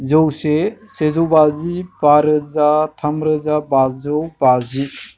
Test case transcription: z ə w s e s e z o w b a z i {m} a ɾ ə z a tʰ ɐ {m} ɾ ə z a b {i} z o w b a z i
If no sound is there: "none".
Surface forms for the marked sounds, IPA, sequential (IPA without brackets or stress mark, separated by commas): b, m, a